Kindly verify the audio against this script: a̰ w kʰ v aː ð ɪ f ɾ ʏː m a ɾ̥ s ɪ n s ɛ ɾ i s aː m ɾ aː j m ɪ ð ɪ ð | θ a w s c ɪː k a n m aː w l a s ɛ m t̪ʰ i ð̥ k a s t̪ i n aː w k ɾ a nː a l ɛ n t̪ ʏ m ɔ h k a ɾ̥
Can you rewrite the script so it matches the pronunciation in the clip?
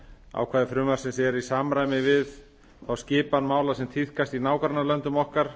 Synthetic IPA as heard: a̰ w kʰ v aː ð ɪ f ɾ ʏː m a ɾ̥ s ɪ n s ɛ ɾ i s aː m ɾ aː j m ɪ v ɪ ð | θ a w s c ɪː p a n m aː w l a s ɛ m t̪ʰ i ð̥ k a s t̪ i n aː w k ɾ a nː a l œ n t̪ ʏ m ɔ h k a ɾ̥

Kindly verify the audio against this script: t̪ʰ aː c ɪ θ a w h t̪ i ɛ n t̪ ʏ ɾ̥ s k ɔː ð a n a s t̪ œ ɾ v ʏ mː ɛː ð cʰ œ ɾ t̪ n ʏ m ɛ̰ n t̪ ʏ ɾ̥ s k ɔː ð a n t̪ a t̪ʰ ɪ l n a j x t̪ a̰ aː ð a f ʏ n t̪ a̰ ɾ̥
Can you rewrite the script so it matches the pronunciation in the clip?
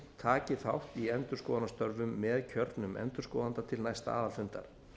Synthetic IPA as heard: t̪ʰ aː c ɪ θ a w h t̪ i ɛ n t̪ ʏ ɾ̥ s k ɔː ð a n a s t̪ œ ɾ v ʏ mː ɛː ð cʰ œ ɾ t̪ n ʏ m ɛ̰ n t̪ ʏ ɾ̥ s k ɔː ð a n t̪ a t̪ʰ ɪ l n a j s t̪ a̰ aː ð a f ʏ n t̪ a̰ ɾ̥

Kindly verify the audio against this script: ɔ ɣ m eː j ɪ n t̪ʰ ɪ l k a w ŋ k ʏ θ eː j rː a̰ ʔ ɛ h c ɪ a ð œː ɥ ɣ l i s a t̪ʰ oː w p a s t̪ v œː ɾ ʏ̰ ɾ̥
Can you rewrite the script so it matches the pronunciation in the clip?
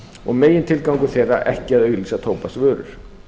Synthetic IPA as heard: ɔ ɣ m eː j ɪ n t̪ʰ ɪ l k a w ŋ k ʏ θ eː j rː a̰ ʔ ɛ h c ɪ a ð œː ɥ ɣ l i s a t̪ʰ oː w p a s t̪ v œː ɾ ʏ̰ ɾ̥

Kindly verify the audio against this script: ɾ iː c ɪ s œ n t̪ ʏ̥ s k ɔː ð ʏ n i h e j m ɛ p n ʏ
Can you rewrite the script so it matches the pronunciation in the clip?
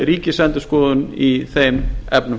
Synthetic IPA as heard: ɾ iː c ɪ s ɛ n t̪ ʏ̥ s k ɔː ð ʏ n i θ e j m ɛ p n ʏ

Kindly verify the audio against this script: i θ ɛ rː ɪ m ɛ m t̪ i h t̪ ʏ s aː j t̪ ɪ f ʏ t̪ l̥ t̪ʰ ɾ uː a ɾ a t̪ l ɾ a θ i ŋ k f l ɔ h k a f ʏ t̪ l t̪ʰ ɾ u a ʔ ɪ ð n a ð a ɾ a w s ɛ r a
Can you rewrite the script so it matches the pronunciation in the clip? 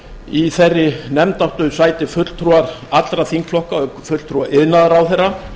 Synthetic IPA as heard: i θ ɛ rː ɪ n ɛ m t̪ a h t̪ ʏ s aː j t̪ ɪ f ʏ t̪ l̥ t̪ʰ ɾ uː a ɾ a t̪ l ɾ a θ i ŋ k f l ɔ h k a f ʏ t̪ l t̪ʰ ɾ u a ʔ ɪ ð n a ð a ɾ a w θ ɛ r a

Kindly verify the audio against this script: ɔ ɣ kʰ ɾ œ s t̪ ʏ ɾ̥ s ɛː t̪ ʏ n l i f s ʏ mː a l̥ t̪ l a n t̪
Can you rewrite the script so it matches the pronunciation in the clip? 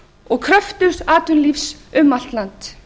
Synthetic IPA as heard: ɔ ɣ kʰ ɾ œ f t̪ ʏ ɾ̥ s aː t̪ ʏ n l i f s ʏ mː a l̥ t̪ l a n t̪

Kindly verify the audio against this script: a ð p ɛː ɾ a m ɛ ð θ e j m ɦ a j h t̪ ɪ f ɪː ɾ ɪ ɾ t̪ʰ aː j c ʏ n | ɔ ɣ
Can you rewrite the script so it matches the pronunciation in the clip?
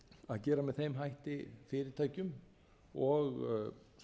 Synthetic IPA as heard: a ð c ɛː ɾ a m ɛ ð θ e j m ɦ a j h t̪ ɪ f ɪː ɾ ɪ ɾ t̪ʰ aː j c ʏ m | ɔ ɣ

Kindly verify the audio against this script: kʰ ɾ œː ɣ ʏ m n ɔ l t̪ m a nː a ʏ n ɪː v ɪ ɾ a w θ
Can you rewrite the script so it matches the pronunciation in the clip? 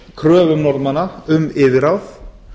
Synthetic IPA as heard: kʰ ɾ œː v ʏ m n ɔ ɾ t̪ m a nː a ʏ m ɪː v ɪ ɾ a w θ

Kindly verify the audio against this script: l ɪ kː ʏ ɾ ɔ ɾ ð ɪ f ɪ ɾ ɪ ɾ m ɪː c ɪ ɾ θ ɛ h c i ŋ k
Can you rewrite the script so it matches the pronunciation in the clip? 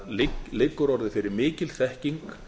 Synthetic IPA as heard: l ɪ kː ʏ ɾ ɔ ɾ ð ɪ f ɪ ɾ ɪ ɾ m ɪː c ɪ l θ ɛ h c i ŋ k

